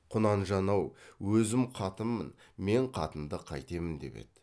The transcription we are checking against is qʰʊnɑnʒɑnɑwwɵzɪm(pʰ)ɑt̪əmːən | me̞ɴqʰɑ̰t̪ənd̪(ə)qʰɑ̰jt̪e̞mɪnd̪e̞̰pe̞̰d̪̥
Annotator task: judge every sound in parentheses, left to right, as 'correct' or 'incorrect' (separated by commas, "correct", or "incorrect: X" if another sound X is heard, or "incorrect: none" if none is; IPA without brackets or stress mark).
incorrect: qʰ, correct